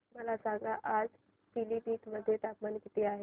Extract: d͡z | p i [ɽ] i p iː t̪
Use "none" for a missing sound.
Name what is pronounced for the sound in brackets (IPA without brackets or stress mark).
l